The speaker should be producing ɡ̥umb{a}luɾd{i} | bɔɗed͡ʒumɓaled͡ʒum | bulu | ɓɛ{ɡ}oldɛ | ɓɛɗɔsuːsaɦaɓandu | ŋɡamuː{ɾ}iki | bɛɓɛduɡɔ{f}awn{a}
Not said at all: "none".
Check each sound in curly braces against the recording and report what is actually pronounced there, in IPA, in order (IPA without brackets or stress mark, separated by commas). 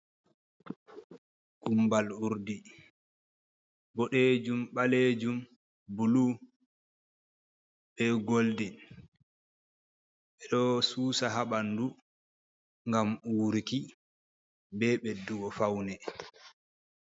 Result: a, i, ɡ, ɾ, f, ɛ